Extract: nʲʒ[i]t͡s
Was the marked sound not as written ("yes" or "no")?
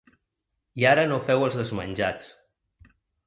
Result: yes